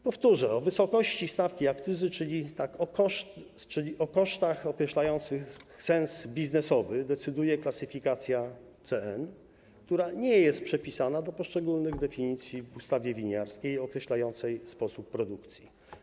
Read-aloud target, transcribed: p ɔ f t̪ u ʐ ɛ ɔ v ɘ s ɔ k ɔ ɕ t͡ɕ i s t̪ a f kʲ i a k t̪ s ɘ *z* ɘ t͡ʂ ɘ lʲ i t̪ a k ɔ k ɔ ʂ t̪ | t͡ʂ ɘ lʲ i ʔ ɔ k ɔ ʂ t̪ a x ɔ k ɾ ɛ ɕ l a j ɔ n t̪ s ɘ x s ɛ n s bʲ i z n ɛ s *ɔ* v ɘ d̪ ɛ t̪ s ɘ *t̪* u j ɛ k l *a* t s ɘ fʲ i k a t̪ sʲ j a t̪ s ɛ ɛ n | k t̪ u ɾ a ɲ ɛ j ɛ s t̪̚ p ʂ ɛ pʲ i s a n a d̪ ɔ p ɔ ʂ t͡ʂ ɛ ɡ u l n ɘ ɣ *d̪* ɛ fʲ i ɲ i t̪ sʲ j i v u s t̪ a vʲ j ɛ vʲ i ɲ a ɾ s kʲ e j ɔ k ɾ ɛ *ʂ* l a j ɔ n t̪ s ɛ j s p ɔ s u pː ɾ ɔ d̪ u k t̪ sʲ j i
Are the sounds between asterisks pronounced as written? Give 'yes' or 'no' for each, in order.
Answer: yes, yes, no, yes, yes, no

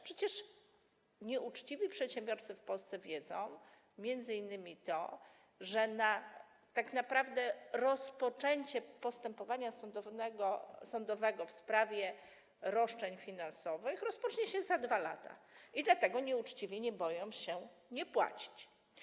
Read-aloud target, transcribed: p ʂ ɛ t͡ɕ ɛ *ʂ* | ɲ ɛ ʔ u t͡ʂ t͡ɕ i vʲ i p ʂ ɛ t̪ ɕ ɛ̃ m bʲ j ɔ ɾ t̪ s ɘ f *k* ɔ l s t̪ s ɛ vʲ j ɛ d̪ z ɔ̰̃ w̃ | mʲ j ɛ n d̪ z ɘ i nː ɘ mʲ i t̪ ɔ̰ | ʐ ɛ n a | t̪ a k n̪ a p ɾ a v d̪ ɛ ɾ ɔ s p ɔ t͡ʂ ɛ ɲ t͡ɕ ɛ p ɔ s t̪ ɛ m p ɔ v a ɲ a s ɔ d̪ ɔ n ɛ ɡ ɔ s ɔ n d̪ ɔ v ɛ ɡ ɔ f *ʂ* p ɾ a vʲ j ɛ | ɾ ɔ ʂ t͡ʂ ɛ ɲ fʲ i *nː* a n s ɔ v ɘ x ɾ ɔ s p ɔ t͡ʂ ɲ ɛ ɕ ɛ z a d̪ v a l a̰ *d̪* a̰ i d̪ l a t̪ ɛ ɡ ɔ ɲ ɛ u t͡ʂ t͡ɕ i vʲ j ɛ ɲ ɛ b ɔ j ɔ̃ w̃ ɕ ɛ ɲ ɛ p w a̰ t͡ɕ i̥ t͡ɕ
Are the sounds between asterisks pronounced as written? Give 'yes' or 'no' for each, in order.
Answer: yes, no, no, no, no

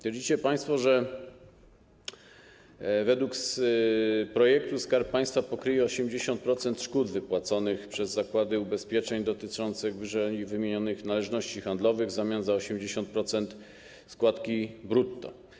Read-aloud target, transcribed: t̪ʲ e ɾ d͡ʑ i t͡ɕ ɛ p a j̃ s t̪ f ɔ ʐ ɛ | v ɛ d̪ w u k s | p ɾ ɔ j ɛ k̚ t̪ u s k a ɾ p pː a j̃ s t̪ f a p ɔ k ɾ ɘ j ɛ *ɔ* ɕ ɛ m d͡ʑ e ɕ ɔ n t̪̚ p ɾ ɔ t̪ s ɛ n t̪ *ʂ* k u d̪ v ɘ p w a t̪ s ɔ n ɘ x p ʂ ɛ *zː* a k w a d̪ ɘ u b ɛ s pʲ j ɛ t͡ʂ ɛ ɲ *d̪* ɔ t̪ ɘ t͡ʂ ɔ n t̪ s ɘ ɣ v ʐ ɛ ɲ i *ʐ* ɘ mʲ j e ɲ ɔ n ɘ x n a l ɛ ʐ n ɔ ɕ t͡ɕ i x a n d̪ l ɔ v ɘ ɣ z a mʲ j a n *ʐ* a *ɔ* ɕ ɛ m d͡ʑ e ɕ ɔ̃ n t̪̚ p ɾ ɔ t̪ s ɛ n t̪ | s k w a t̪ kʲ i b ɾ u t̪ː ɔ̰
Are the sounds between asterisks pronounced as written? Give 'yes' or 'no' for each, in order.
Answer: yes, yes, yes, yes, no, no, yes

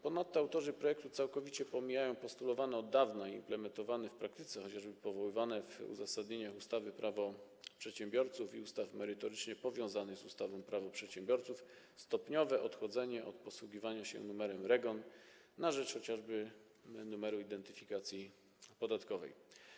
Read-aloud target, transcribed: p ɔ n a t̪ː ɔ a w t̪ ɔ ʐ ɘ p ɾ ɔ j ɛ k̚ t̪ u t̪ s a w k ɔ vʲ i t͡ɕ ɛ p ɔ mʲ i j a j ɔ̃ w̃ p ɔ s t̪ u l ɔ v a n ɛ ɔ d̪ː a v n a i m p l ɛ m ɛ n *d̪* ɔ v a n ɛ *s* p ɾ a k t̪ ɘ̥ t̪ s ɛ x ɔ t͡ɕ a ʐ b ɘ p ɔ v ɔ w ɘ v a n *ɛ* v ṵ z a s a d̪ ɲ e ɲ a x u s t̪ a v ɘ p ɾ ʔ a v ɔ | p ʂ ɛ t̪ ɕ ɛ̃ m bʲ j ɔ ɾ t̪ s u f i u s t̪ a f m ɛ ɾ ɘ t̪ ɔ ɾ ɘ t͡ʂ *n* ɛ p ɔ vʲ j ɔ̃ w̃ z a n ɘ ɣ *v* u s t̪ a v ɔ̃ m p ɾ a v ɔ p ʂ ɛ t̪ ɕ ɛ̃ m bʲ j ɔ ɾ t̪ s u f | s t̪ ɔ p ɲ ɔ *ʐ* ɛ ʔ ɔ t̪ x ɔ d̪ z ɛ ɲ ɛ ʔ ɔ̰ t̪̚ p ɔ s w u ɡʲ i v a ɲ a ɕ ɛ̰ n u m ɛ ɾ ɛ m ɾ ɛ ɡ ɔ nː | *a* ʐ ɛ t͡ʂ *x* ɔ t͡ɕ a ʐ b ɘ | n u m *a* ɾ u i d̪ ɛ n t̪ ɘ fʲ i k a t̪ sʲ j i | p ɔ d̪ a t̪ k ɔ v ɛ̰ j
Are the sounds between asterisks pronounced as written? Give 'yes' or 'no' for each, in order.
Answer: no, no, yes, no, no, no, yes, yes, no

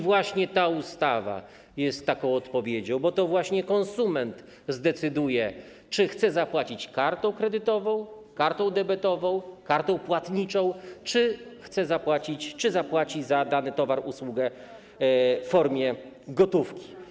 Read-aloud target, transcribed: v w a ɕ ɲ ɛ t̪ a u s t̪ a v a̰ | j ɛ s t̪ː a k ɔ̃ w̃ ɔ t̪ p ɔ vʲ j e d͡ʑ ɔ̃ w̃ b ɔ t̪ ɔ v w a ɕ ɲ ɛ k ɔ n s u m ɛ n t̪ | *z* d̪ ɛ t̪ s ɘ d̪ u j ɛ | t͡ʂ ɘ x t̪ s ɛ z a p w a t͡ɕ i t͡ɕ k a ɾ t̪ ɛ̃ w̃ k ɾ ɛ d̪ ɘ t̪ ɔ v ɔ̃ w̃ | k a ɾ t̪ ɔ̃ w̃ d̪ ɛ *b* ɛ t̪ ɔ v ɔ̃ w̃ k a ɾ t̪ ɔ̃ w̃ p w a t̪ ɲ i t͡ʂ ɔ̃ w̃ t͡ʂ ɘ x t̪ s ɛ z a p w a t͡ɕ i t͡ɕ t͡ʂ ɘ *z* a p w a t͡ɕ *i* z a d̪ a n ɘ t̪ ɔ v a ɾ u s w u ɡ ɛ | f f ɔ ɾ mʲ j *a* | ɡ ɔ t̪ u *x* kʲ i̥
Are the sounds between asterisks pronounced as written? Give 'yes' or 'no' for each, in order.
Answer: yes, yes, yes, yes, no, no

